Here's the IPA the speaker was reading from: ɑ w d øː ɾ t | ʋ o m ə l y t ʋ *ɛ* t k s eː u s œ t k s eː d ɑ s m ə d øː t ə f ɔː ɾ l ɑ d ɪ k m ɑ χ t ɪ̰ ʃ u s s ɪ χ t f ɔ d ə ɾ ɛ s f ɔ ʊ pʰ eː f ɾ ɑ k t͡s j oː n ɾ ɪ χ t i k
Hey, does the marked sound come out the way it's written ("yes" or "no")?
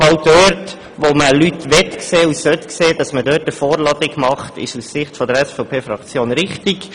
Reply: yes